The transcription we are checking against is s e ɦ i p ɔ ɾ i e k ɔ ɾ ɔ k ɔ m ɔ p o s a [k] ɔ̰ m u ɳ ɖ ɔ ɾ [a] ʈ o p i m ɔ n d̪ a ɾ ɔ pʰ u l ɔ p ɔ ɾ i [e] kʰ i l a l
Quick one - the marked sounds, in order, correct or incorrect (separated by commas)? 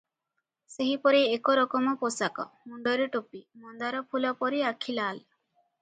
correct, incorrect, incorrect